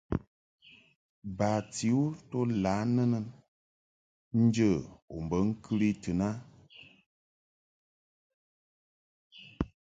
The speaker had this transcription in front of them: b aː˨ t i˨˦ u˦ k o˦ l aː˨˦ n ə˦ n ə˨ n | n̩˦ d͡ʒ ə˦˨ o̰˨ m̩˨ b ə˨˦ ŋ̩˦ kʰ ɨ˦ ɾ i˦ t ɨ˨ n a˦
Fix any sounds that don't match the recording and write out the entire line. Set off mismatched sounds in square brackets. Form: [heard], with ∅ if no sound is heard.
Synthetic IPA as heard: b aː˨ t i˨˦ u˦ [t] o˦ l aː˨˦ n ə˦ n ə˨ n | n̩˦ d͡ʒ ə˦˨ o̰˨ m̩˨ b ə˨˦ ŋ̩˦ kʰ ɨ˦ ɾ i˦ t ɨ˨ n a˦